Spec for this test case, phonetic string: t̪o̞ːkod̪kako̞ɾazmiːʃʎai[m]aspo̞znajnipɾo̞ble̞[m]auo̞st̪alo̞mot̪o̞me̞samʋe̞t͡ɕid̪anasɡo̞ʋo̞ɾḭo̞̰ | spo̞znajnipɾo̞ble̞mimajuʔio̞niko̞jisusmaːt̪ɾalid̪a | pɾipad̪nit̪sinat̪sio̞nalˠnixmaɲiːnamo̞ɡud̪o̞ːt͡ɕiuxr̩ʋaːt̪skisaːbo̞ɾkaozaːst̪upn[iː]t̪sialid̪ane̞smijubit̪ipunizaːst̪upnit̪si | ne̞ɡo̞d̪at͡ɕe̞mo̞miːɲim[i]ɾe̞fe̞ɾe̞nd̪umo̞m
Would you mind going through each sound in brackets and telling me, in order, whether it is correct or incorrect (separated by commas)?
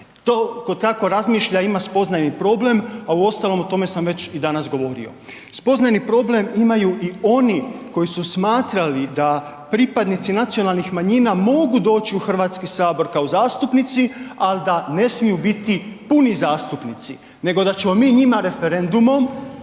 correct, correct, incorrect, incorrect